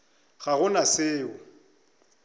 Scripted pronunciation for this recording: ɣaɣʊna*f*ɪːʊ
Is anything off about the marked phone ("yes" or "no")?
yes